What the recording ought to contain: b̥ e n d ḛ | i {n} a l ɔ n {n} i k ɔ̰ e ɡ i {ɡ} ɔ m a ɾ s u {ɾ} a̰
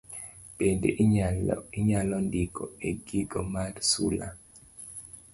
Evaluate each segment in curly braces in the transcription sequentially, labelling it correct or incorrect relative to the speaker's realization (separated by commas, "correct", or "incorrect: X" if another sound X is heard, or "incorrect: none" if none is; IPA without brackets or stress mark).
incorrect: ɲ, incorrect: d, correct, incorrect: l